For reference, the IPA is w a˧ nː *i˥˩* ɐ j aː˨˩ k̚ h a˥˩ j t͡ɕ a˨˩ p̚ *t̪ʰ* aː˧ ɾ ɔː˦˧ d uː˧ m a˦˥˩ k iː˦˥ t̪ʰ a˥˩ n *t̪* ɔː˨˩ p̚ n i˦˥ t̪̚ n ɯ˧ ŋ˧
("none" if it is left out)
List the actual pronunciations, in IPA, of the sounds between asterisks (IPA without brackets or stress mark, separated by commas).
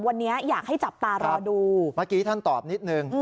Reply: i˦˥, t̪, t̪